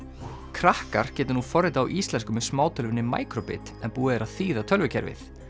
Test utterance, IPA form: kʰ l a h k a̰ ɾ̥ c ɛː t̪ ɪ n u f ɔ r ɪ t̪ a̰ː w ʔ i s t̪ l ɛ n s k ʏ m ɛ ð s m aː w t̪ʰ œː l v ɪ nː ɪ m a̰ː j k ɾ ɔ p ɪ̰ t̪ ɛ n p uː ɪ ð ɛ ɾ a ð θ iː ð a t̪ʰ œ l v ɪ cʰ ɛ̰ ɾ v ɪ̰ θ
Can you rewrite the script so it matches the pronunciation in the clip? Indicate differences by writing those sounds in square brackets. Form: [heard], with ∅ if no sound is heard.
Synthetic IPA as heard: kʰ [ɾ] a h k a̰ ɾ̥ c ɛː t̪ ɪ n u f ɔ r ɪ t̪ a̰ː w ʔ i s t̪ l ɛ n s k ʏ m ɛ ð s m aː w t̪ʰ [œ] l v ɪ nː ɪ m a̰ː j k ɾ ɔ p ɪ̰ t̪ ɛ n p uː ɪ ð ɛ ɾ a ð θ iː ð a t̪ʰ œ l v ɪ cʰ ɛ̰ ɾ v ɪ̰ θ